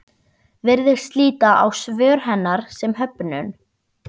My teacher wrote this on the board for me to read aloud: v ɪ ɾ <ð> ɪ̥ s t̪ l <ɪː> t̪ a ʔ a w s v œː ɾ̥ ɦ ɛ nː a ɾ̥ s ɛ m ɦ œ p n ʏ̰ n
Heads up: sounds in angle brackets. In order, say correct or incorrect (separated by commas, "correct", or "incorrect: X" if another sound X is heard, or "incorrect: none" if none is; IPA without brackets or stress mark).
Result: correct, incorrect: iː